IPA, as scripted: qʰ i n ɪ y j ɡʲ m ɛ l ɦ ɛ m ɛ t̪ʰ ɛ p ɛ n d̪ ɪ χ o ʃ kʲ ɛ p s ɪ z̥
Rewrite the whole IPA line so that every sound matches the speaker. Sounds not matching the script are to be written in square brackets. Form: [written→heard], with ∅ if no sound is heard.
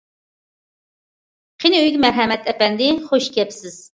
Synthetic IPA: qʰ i n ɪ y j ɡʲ m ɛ [l→ɾ] ɦ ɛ m ɛ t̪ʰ ɛ p ɛ n d̪ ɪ χ o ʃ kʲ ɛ p s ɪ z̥